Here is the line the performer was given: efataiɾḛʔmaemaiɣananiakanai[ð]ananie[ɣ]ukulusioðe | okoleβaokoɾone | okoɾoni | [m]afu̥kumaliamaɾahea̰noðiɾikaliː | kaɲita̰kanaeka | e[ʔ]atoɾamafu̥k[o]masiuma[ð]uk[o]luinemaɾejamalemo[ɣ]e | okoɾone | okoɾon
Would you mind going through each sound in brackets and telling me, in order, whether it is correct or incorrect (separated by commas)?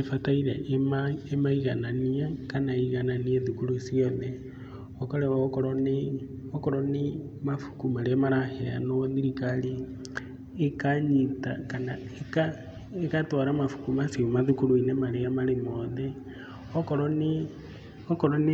incorrect, incorrect, correct, incorrect, incorrect, correct, incorrect, incorrect